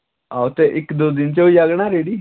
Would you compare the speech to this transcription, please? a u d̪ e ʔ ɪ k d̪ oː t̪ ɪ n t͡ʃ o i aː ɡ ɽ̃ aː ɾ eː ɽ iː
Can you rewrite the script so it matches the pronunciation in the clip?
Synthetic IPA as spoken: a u t̪ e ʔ ɪ k d̪ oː d̪ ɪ n t͡ʃ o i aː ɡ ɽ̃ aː ɾ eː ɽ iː